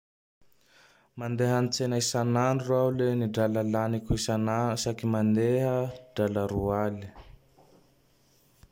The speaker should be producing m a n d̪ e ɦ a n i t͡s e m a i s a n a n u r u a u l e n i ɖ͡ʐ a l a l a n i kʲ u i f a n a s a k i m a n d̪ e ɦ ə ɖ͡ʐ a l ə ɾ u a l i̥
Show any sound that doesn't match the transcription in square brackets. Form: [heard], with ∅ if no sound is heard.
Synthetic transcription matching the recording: m a n d̪ e ɦ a n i t͡s e [n] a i s a n a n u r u a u l e n i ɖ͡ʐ a l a l a n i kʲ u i [s] a n a s a k i m a n d̪ e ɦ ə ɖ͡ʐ a l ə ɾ u a l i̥